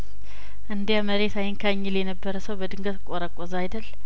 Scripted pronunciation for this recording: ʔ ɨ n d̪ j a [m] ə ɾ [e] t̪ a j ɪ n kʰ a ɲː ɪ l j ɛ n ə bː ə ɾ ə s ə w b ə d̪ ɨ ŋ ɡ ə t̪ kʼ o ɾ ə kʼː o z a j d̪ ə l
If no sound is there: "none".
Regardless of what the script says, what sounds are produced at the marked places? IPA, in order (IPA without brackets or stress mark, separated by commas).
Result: m, e